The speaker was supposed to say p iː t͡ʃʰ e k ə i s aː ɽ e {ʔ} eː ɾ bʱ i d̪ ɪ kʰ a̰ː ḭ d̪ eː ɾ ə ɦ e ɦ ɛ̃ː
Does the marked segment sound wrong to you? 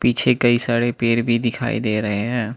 yes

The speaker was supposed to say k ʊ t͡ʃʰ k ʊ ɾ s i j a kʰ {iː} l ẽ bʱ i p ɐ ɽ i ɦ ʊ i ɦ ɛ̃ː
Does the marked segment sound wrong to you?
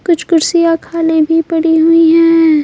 yes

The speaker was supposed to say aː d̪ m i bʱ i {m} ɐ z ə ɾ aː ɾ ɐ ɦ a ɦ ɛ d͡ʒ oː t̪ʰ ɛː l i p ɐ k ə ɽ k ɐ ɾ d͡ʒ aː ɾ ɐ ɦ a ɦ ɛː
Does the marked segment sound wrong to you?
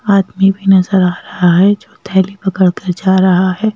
yes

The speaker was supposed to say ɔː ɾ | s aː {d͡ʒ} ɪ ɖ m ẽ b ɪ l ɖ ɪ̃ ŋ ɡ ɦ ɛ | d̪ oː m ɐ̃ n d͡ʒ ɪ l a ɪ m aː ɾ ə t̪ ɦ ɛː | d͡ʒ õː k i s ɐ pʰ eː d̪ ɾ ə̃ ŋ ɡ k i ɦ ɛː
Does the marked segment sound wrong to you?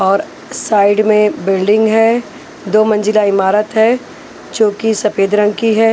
yes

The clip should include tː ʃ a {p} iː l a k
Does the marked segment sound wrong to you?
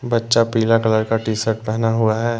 no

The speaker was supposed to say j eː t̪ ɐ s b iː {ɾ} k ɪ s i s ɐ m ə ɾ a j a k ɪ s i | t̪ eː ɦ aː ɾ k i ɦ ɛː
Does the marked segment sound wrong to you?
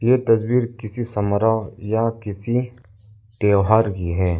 no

